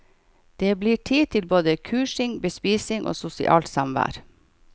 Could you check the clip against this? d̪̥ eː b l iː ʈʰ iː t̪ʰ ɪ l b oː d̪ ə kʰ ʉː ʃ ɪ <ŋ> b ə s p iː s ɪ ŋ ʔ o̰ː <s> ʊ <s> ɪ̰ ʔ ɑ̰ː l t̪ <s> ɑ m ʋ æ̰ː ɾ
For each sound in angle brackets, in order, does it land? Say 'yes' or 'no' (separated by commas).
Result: yes, yes, yes, yes